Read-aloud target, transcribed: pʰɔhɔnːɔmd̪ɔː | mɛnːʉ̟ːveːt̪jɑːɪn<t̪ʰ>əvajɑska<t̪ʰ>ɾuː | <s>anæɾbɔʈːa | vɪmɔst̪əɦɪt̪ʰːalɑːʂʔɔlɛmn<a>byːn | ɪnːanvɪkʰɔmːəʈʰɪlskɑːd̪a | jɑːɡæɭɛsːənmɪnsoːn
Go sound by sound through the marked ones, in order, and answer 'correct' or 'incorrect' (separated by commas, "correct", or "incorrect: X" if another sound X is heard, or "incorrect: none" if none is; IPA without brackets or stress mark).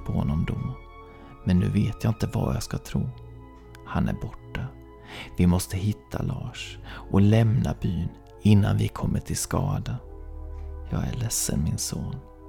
incorrect: t̪, correct, incorrect: h, correct